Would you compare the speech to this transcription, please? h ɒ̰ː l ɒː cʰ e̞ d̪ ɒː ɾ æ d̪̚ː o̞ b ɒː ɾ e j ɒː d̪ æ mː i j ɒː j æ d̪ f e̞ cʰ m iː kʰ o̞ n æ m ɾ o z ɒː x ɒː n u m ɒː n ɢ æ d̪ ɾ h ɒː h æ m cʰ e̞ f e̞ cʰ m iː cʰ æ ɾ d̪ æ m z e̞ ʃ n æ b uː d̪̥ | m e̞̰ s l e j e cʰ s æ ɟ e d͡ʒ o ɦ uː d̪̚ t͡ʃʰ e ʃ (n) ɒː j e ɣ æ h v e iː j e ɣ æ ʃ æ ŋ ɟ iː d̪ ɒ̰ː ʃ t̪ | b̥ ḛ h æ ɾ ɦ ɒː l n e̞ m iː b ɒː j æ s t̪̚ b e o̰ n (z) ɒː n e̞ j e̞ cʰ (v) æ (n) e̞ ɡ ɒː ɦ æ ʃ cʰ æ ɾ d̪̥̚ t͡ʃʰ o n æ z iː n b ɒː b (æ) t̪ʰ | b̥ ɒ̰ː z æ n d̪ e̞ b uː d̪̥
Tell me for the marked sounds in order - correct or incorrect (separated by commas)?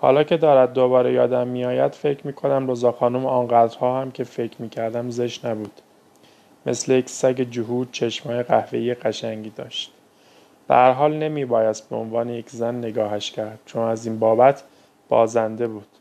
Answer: incorrect, incorrect, incorrect, incorrect, correct